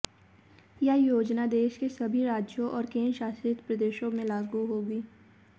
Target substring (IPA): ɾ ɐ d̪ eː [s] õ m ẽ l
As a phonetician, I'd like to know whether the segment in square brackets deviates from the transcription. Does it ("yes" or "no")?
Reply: yes